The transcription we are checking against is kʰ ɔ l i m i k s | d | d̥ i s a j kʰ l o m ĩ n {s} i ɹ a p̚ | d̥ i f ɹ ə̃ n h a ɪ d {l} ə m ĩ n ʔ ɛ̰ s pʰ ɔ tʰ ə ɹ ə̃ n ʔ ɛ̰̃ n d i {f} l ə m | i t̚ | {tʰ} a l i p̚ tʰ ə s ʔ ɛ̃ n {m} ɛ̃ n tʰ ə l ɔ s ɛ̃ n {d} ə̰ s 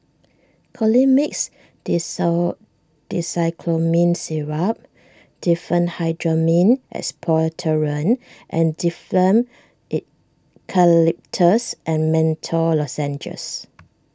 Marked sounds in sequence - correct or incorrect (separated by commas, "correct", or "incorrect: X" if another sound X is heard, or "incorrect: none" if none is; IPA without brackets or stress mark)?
correct, incorrect: ɹ, correct, incorrect: kʰ, correct, incorrect: d͡ʒ